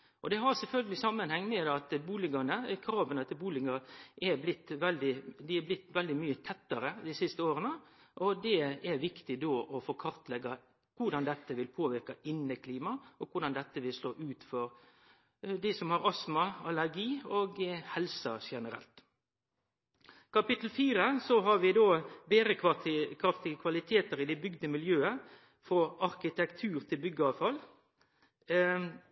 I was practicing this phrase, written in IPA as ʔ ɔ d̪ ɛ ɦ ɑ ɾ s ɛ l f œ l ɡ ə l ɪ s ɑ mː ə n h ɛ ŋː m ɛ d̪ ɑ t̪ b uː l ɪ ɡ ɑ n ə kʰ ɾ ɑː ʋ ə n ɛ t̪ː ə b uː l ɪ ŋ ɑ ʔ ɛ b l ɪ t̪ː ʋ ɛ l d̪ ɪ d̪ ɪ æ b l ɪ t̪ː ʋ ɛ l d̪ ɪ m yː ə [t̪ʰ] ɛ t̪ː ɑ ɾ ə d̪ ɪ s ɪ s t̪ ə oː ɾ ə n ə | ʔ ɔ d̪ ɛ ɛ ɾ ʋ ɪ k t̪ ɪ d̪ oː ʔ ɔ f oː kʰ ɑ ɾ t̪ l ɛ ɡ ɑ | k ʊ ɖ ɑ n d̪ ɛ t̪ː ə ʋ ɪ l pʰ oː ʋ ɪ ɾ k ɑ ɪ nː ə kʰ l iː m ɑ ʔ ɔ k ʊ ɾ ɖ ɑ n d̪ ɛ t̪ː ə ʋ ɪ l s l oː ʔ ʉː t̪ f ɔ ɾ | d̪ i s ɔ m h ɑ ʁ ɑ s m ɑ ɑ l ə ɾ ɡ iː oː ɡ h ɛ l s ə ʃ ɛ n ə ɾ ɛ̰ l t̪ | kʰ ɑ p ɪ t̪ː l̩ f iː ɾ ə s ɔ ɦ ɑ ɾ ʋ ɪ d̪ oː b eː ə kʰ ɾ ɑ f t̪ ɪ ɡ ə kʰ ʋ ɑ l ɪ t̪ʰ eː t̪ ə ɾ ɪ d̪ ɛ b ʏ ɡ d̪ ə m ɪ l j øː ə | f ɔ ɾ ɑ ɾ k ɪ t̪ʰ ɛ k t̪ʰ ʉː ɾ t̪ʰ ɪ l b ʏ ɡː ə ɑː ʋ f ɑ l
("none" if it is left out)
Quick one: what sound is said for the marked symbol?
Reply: t̪ʰ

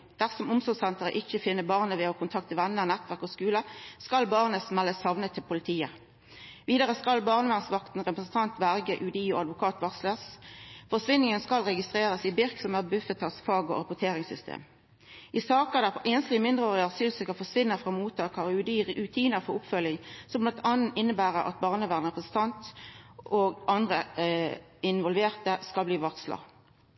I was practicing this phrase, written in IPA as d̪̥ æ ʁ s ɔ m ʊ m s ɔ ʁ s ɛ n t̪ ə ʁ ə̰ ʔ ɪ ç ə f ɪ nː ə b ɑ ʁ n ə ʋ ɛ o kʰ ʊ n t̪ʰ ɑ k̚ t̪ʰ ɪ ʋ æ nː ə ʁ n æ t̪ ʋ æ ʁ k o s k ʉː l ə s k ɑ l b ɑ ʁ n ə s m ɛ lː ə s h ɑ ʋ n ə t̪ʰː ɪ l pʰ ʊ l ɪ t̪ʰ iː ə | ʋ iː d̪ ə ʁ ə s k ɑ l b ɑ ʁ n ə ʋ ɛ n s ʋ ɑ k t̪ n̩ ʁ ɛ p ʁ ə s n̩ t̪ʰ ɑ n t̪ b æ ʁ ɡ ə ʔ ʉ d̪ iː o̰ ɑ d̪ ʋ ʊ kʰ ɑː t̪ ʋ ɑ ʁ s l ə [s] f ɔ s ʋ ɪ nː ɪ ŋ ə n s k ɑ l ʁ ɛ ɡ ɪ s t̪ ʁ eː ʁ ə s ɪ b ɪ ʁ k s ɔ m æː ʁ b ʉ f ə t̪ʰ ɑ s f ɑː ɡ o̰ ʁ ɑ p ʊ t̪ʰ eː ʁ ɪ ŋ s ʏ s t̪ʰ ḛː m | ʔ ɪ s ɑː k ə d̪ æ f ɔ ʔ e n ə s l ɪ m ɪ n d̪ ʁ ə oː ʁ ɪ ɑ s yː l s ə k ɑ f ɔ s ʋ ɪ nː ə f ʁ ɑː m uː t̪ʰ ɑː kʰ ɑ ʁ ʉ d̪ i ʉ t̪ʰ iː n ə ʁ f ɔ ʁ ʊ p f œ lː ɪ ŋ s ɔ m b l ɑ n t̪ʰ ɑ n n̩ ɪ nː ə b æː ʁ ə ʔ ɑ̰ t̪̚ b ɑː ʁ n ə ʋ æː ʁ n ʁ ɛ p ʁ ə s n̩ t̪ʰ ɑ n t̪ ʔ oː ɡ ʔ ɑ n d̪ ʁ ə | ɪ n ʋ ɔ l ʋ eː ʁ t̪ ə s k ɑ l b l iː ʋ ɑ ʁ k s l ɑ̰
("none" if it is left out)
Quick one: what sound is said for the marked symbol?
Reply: s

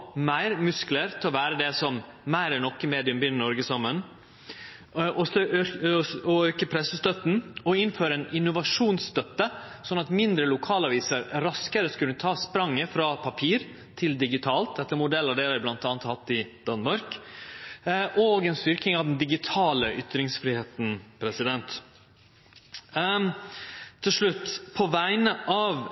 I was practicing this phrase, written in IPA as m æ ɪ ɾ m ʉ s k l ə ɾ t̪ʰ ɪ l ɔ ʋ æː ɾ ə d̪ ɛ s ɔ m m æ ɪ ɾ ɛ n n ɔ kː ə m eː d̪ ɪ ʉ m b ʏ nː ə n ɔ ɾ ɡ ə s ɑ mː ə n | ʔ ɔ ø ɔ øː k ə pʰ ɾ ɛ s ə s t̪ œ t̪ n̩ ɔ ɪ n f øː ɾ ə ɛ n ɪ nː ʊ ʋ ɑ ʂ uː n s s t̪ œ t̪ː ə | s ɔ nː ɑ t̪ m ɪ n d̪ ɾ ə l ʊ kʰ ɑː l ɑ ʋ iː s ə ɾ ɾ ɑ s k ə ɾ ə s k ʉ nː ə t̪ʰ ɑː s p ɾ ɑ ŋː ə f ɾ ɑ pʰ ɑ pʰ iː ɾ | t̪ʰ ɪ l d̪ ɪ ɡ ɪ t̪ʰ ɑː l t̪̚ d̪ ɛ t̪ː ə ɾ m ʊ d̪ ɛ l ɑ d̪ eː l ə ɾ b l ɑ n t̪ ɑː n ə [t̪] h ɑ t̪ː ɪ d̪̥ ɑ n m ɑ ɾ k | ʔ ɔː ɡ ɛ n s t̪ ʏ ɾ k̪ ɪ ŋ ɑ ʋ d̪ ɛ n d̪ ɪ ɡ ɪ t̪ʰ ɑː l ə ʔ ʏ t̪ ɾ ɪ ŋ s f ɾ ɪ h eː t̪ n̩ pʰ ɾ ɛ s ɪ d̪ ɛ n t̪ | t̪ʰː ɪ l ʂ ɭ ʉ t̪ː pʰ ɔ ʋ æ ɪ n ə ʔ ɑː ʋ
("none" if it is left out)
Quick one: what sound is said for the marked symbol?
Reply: t̪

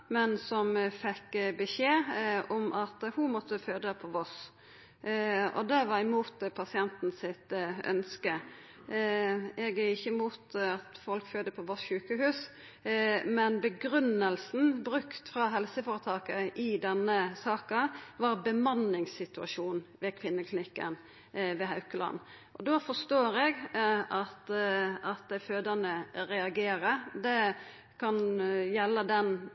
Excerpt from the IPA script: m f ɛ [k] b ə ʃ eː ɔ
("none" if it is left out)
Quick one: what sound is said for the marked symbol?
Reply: k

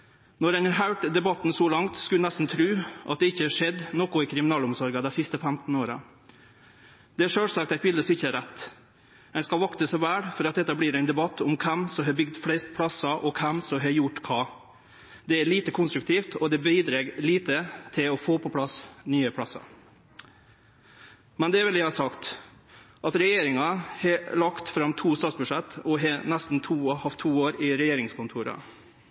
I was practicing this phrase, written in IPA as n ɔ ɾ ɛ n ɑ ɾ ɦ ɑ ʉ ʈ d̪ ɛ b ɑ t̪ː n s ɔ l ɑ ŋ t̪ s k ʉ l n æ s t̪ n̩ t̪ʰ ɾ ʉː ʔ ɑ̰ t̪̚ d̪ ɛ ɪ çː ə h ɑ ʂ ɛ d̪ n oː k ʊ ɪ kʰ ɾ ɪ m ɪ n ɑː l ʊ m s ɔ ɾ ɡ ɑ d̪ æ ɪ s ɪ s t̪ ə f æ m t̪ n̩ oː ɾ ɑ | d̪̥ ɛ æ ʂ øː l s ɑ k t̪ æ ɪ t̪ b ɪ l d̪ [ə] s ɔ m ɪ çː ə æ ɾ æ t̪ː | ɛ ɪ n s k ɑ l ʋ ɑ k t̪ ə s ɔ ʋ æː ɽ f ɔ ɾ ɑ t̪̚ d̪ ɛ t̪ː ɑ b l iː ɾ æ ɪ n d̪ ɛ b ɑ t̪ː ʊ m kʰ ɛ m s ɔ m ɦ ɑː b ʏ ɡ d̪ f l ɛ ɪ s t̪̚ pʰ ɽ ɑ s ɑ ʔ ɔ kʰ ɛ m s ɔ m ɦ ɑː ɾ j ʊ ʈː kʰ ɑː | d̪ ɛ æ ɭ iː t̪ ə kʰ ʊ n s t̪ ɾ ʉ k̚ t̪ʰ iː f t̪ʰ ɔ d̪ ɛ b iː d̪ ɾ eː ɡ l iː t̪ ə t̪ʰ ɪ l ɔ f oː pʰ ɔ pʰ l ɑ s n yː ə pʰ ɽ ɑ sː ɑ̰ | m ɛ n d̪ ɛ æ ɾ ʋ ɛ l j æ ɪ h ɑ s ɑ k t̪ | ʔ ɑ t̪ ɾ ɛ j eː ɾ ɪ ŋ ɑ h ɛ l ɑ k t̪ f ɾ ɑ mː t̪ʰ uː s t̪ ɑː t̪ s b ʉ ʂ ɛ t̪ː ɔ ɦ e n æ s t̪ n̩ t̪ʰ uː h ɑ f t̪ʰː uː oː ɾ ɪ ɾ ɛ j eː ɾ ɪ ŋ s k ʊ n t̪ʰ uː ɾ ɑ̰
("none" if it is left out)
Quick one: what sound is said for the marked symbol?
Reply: ə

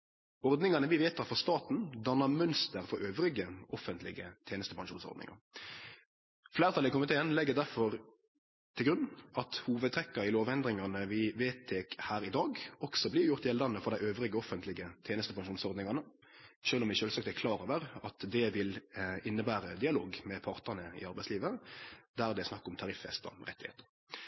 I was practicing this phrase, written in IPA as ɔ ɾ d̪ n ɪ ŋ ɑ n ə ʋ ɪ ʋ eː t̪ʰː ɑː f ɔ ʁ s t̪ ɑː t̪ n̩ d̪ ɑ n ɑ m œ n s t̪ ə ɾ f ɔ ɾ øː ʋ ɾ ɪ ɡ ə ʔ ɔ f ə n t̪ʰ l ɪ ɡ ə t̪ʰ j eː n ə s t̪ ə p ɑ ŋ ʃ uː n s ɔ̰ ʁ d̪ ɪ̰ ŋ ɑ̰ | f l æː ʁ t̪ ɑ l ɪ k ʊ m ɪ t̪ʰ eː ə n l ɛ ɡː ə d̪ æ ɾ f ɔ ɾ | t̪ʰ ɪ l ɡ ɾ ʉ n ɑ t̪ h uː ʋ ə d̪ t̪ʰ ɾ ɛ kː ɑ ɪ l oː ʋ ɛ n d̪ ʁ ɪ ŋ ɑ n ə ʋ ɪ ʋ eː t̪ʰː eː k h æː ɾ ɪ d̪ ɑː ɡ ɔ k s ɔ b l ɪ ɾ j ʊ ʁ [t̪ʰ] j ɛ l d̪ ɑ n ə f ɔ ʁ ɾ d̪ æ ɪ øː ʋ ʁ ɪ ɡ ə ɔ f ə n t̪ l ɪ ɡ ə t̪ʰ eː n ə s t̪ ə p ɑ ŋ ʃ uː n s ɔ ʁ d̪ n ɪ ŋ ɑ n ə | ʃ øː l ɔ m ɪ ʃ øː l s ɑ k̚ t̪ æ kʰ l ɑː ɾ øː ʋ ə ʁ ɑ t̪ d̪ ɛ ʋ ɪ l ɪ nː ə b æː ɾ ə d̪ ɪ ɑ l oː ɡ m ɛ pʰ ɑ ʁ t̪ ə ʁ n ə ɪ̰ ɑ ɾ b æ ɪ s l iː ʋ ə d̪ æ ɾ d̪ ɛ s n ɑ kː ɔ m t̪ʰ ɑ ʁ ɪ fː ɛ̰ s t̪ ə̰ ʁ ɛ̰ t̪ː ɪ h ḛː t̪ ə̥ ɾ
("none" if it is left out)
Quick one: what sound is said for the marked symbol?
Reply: t̪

